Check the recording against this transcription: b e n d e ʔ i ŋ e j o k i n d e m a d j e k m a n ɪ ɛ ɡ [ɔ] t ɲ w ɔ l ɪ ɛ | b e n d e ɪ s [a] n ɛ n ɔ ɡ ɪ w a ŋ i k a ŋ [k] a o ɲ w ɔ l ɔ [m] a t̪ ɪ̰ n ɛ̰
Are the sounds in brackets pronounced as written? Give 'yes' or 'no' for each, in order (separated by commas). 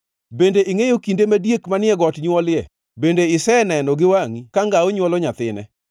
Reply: yes, no, no, no